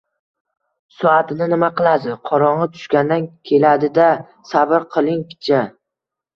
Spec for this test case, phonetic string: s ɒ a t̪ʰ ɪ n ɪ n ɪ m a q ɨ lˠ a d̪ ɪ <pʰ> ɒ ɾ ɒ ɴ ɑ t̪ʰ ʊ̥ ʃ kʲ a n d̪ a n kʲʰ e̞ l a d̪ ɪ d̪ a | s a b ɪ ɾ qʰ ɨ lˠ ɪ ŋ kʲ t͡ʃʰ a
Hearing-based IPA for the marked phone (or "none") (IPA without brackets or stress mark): qʰ